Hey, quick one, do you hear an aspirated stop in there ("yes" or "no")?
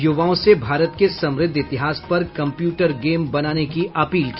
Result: no